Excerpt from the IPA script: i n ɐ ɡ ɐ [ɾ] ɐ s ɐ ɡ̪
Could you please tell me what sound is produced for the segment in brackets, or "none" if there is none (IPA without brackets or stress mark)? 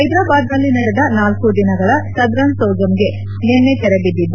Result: ɭ